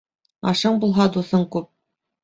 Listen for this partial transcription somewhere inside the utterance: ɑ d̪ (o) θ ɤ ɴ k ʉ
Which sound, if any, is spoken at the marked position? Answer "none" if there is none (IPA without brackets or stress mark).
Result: u